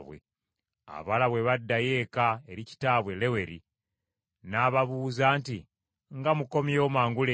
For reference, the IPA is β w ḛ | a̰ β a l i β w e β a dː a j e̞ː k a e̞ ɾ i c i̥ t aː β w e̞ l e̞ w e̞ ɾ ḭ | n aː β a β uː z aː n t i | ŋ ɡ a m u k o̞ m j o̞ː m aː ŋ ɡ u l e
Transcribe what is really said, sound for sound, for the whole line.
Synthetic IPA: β w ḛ | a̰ β a l a β w e β a dː a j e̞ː k a e̞ ɾ i c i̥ t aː β w e̞ l e̞ w e̞ ɾ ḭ | n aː β a β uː z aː n t i | ŋ ɡ a m u k o̞ m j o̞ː m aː ŋ ɡ u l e

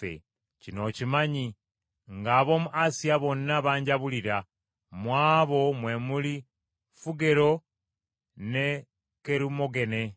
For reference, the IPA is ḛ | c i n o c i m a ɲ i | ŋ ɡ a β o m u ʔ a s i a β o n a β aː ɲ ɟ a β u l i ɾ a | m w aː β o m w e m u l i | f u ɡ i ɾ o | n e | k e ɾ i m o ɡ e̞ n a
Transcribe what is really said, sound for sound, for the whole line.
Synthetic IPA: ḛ | c i n o c i m a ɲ i | ŋ ɡ a β o m u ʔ a s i a β o n a β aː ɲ ɟ a β u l i ɾ a | m w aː β o m w e m u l i | f u ɡ e ɾ o | n e | k e ɾ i m o ɡ e̞ n e

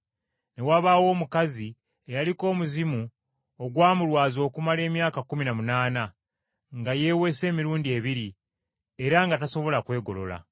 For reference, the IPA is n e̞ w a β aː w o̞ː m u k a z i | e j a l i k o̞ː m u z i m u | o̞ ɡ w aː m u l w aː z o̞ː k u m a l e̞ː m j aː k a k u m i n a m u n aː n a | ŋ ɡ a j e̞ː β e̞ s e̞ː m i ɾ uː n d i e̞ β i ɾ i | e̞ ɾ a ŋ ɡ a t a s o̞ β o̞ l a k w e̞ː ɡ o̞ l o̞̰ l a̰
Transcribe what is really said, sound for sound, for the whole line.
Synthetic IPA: n e̞ w a β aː w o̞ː m u k a z i | e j a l i k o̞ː m u z i m u | o̞ ɡ w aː m u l w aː z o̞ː k u m a l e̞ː m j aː k a k u m i n a m u n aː n a | ŋ ɡ a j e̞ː w e̞ s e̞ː m i ɾ uː n d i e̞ β i ɾ i | e̞ ɾ a ŋ ɡ a t a s o̞ β o̞ l a k w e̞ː ɡ o̞ l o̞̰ l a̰

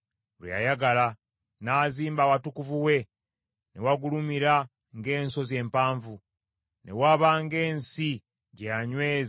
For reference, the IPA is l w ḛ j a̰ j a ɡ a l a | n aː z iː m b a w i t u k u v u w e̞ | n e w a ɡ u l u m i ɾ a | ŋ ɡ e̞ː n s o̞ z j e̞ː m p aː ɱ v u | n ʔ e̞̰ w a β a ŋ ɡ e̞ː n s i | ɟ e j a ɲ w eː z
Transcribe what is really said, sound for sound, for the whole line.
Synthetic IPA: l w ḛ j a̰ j a ɡ a l a | n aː z iː m b a w a t u k u v u w e̞ | n e w a ɡ u l u m i ɾ a | ŋ ɡ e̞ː n s o̞ z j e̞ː m p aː ɱ v u | n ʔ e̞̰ w a β a ŋ ɡ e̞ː n s i | ɟ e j a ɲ w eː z

